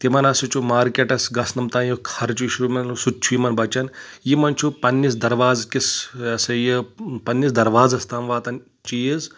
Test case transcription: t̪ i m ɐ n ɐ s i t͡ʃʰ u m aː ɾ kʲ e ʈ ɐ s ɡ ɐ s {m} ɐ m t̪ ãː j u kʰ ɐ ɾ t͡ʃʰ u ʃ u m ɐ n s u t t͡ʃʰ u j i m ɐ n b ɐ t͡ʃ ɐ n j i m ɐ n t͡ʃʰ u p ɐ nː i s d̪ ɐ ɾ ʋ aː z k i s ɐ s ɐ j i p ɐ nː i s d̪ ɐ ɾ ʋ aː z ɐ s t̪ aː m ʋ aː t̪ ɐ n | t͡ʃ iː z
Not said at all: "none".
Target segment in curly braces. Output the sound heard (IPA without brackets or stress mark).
n